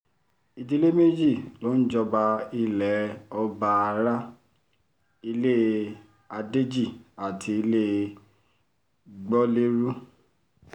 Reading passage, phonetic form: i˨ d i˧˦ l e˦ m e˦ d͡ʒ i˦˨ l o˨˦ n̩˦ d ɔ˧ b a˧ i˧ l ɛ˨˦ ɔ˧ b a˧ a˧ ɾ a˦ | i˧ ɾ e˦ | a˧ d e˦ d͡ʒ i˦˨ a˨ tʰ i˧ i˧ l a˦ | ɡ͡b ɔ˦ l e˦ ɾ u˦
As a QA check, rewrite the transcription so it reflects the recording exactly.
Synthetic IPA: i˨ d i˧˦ l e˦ m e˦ d͡ʒ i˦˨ l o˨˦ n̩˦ d͡ʒ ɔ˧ b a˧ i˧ l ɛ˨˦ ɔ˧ b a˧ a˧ ɾ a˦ | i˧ l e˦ | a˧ d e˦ d͡ʒ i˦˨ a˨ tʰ i˧ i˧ l e˦ | ɡ͡b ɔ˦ l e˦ ɾ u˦